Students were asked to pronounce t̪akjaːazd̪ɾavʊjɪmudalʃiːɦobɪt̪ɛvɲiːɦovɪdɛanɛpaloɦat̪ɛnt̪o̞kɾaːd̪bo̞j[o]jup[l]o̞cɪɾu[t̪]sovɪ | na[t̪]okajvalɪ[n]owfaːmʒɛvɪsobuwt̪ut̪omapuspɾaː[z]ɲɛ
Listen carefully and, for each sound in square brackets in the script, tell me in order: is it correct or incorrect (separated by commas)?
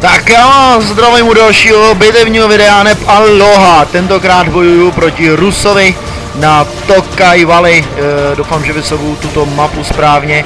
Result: incorrect, incorrect, incorrect, correct, incorrect, incorrect